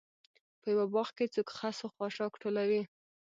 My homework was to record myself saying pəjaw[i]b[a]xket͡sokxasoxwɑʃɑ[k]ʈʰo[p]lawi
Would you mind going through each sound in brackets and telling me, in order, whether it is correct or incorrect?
incorrect: a, incorrect: ɑ, correct, incorrect: none

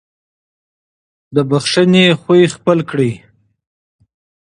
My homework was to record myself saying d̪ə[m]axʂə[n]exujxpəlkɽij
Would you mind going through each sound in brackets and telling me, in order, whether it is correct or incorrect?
incorrect: b, correct

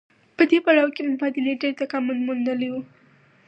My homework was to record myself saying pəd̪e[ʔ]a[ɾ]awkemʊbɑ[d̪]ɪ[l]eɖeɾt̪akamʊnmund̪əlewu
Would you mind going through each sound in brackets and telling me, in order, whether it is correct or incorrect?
incorrect: p, incorrect: ɽ, correct, correct

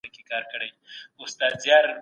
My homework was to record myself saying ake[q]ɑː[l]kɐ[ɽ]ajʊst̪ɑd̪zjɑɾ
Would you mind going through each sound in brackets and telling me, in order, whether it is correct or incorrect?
incorrect: k, incorrect: ɾ, correct

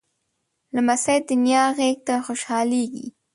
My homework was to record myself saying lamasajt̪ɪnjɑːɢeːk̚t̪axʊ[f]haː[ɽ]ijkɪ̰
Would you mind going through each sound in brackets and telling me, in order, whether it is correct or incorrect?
incorrect: ʃ, incorrect: l

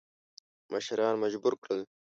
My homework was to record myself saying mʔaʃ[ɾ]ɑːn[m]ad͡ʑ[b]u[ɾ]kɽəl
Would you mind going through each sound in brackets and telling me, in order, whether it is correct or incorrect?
correct, correct, correct, correct

